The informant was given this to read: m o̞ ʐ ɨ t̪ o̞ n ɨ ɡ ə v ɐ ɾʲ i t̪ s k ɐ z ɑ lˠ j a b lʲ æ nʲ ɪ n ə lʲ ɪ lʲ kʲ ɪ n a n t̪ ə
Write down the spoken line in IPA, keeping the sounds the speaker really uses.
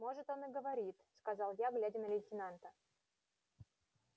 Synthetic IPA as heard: m o̞ ʐ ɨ t̪ o̞ n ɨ ɡ ə v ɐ ɾʲ i t̪ s k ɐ z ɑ lˠ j a ɡ lʲ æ dʲ ɪ n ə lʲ ɪ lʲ tʲ ɪ n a n t̪ ə